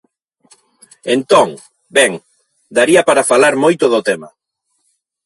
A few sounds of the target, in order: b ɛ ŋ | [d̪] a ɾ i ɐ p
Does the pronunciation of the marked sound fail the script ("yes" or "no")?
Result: no